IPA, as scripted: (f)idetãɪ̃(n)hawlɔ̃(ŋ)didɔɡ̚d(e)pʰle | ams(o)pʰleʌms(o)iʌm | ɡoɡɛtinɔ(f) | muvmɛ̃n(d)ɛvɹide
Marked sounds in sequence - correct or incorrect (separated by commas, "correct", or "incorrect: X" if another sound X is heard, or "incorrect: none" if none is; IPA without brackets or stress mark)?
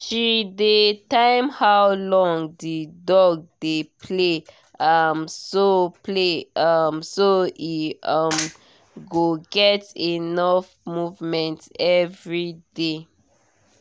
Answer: incorrect: ʃ, incorrect: m, correct, correct, correct, correct, correct, incorrect: t